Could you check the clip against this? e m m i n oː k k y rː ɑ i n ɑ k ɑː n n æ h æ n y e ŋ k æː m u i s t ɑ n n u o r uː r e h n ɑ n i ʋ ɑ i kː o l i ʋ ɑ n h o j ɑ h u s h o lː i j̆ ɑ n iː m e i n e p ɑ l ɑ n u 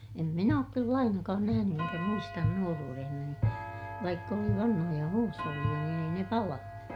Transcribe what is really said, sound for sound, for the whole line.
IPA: e m m i n oː k k y lː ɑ i n ɑ k ɑː n n æ h æ n y e ŋ k æ m u i s t ɑ n n u o r uː r e h n ɑ n i ʋ ɑ i kː o l i ʋ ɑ n h o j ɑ h uː s h o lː i j̆ ɑ n iː n e i n e p ɑ l ɑ n u